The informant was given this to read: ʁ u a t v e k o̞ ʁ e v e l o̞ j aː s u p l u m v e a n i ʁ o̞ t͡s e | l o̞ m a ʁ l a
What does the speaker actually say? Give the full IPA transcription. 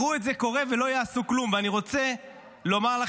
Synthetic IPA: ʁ u e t z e k o̞ ʁ e v e l o̞ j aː s u k l u m v e a n i ʁ o̞ t͡s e | l o̞ m a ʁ l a